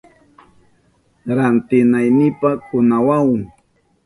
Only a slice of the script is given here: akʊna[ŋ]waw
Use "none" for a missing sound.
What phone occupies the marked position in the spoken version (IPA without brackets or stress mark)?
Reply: none